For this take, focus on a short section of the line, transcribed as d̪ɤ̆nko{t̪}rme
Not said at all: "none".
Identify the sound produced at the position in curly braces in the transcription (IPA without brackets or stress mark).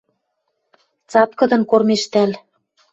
none